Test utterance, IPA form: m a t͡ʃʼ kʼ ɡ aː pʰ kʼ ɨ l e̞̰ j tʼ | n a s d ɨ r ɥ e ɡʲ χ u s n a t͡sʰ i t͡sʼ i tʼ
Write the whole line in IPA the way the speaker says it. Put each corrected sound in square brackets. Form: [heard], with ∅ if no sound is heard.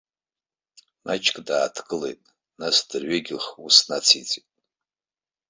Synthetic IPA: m a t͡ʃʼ kʼ [d] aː [tʰ] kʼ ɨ l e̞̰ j tʼ | n a s d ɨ r ɥ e ɡʲ χ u s n a t͡sʰ i t͡sʼ i tʼ